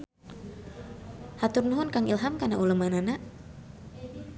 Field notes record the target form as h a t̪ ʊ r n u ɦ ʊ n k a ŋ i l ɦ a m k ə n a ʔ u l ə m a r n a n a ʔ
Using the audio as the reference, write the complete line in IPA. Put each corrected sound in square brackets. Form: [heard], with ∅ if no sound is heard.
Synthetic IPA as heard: h a t̪ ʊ r n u ɦ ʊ n k a ŋ i l ɦ a m k [a] n a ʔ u l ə m a [∅] n a n a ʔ